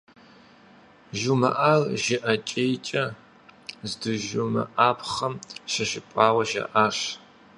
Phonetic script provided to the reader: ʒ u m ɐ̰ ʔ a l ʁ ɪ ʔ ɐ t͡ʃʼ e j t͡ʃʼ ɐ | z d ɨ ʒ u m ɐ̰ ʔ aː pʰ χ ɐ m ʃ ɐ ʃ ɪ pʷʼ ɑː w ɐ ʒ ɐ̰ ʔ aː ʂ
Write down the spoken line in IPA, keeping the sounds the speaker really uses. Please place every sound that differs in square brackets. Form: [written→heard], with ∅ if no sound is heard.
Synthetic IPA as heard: ʒ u m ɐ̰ ʔ a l [ʁ→ʒ] ɪ ʔ ɐ t͡ʃʼ e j t͡ʃʼ ɐ | z d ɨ ʒ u m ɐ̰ ʔ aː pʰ χ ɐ m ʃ ɐ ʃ ɪ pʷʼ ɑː w ɐ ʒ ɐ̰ ʔ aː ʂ